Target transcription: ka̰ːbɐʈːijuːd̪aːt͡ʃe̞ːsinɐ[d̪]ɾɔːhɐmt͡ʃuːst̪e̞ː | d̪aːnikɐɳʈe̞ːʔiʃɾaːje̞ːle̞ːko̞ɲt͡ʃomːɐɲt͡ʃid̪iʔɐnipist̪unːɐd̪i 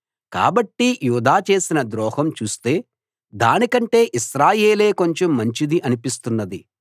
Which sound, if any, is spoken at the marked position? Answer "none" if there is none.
d̪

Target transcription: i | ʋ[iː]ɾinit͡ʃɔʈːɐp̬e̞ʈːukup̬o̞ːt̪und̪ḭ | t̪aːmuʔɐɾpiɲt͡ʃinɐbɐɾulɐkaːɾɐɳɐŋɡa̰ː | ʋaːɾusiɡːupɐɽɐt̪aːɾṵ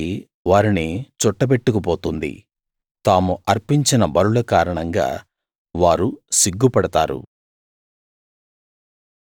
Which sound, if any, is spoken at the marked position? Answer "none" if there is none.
aː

